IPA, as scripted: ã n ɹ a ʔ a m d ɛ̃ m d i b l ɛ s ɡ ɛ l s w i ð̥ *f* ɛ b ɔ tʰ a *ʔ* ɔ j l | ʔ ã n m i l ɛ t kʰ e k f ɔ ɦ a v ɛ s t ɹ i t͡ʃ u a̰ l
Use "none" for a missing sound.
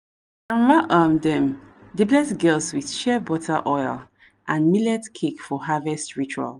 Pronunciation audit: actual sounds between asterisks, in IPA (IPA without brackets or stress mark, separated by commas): ʃ, ʔ